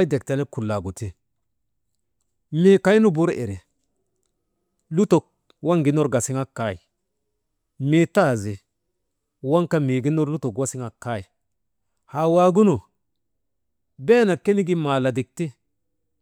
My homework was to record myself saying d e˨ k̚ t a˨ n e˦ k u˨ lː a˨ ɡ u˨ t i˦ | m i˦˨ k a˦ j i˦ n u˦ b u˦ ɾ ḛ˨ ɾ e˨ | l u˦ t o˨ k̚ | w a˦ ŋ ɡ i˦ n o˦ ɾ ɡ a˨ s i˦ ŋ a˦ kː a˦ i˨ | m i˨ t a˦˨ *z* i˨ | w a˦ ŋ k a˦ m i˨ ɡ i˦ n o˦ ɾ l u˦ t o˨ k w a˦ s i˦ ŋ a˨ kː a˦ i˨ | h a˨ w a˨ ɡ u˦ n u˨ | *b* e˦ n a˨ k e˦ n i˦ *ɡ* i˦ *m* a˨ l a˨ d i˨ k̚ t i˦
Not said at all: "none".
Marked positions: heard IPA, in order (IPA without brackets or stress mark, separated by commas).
z, b, ɡ, m